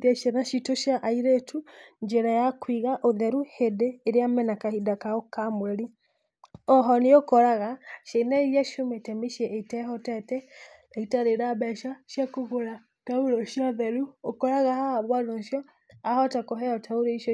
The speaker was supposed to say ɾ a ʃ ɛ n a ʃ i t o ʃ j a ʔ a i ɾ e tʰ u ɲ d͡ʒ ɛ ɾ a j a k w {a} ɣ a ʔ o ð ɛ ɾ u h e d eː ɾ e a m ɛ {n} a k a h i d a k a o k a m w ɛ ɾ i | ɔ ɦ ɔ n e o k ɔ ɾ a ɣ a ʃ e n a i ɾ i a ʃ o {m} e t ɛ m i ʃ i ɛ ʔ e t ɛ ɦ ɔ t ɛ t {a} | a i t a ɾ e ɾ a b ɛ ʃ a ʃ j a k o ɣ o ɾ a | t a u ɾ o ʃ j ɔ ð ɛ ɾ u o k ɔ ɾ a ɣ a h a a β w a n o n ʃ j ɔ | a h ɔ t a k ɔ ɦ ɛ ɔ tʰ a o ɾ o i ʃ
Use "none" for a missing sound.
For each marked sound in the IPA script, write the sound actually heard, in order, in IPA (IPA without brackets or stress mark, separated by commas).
i, n, m, ɛ